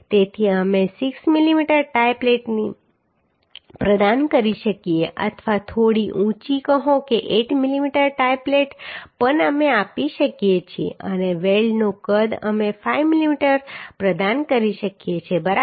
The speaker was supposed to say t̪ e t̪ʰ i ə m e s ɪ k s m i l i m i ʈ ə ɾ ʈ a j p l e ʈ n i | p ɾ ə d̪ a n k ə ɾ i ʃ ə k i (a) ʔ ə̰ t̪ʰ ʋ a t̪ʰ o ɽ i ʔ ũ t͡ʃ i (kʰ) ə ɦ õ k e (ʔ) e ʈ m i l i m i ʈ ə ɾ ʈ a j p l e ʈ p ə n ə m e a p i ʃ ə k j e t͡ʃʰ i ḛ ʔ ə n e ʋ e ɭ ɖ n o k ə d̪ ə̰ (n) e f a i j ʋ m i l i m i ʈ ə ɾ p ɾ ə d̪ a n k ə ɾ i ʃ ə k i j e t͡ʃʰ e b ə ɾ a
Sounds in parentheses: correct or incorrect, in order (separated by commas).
incorrect, incorrect, correct, incorrect